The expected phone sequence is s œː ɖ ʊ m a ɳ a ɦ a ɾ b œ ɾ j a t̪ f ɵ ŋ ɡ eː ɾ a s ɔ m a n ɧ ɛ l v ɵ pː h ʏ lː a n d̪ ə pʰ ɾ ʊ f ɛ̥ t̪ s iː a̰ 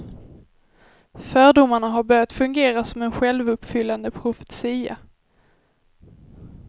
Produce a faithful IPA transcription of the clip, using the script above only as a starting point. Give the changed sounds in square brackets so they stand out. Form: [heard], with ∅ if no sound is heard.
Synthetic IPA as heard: [f] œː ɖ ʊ m a ɳ a ɦ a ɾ b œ ɾ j a t̪ f ɵ ŋ ɡ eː ɾ a s ɔ m [ɛ] n ɧ ɛ l v ɵ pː [f] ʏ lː a n d̪ ə pʰ ɾ ʊ f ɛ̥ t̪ s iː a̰